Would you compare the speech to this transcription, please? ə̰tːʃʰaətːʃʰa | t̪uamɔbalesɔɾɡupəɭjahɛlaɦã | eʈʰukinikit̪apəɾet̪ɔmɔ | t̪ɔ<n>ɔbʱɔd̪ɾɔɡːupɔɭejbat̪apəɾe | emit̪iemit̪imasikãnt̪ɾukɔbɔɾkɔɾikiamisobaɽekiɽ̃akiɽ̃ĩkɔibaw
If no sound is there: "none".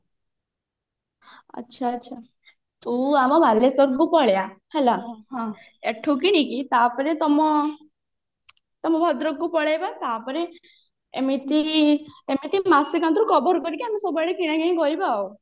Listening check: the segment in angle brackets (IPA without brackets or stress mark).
m